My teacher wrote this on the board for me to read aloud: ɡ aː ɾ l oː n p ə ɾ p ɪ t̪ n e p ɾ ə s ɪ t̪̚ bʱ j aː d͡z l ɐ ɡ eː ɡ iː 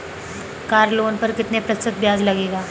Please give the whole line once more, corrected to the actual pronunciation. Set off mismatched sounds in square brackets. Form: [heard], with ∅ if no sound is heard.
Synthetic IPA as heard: [k] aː ɾ l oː n p ə ɾ [k] ɪ t̪ n e p ɾ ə s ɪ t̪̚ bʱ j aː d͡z l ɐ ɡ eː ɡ [aː]